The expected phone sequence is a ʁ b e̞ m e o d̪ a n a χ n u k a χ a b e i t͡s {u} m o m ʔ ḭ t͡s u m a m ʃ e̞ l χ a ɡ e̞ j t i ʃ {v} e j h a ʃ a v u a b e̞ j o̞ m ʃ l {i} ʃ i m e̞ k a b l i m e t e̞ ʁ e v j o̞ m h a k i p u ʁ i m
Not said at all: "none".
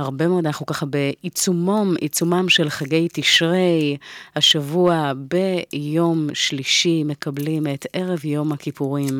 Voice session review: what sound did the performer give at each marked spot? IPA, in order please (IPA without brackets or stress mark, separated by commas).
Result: u, ʁ, i